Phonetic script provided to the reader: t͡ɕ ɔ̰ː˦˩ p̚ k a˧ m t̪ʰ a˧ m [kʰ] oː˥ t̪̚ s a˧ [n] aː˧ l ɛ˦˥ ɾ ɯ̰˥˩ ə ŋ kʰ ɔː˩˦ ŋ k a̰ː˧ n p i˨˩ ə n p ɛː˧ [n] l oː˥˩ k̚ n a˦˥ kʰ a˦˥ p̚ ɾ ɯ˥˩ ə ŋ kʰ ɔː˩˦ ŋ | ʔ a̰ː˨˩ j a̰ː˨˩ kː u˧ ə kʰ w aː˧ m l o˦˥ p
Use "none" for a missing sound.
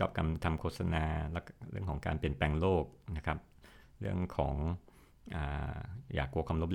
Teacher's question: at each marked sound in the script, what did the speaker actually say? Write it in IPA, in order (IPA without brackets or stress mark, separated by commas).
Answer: kʰ, n, ŋ